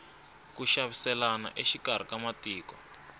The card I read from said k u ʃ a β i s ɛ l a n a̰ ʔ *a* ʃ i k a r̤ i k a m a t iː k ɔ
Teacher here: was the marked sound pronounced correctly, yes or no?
no